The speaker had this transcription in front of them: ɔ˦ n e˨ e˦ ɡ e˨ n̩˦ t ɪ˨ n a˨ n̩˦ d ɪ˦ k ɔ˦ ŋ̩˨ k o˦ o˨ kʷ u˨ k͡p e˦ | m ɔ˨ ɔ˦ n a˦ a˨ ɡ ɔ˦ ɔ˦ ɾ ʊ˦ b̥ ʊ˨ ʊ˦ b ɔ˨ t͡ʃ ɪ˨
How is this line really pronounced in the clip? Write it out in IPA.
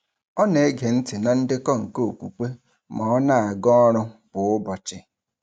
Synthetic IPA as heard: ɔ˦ n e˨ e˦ ɡ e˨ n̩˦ t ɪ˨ n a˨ n̩˦ d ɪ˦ k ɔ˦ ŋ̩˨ k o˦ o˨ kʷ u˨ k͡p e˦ | m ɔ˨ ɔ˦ n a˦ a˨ ɡ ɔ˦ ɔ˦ ɾ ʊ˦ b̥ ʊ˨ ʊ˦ b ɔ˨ t͡ʃ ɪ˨